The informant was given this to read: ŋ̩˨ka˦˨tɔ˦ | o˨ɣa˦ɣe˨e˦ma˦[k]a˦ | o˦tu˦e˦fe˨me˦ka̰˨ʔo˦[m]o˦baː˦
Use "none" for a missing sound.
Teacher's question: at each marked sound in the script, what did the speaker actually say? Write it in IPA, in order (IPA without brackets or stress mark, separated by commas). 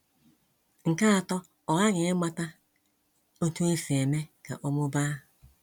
t, m